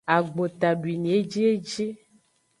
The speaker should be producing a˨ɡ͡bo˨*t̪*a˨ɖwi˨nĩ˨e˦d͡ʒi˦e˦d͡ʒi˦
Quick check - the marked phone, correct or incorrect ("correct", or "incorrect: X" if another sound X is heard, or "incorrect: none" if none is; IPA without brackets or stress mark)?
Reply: correct